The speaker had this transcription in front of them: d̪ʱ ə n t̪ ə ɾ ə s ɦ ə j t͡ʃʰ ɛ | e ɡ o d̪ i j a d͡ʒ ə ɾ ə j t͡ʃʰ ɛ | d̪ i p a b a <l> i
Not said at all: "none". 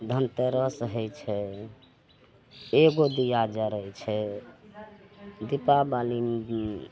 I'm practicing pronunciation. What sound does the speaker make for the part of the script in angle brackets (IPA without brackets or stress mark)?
l